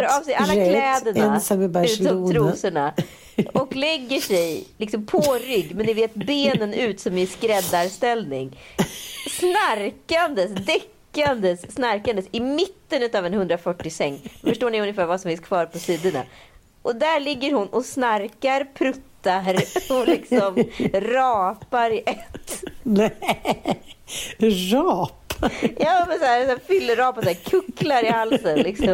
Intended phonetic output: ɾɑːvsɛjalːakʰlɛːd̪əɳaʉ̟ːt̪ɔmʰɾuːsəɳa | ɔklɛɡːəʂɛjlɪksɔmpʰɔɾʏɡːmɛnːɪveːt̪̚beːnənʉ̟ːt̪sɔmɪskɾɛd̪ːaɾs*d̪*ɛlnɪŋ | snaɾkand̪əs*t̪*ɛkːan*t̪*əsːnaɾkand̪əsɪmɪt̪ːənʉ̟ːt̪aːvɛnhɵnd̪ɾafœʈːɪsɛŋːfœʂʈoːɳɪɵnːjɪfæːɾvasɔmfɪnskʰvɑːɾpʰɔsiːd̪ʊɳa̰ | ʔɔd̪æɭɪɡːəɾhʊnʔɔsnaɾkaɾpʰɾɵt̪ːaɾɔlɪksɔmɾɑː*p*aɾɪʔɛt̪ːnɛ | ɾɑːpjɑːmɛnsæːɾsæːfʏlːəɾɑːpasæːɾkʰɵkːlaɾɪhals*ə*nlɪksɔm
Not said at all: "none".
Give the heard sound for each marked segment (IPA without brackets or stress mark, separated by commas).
t̪, d̪, d̪, p, ə